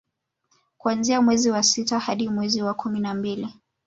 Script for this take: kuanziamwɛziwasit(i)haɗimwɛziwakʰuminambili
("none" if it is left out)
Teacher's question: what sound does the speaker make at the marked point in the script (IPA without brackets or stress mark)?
a